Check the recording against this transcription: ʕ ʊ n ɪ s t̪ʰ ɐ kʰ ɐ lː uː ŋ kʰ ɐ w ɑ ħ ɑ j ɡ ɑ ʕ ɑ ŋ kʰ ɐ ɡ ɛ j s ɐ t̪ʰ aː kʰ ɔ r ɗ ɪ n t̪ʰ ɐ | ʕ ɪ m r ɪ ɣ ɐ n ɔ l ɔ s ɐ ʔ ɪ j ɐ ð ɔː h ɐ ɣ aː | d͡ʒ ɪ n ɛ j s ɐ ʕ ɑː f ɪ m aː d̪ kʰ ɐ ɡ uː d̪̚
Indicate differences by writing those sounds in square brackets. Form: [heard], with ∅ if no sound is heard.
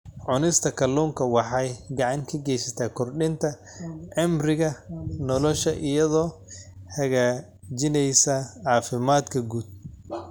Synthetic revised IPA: ʕ ʊ n ɪ s t̪ʰ ɐ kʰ ɐ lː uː ŋ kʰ ɐ w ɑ ħ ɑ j ɡ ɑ ʕ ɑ ŋ kʰ ɐ ɡ ɛ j s ɐ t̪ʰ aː kʰ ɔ r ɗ ɪ n t̪ʰ ɐ | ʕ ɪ m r ɪ ɣ ɐ n ɔ l ɔ [ʃ] ɐ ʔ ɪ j ɐ ð ɔː h ɐ ɣ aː | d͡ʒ ɪ n ɛ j s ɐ ʕ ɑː f ɪ m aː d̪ kʰ ɐ ɡ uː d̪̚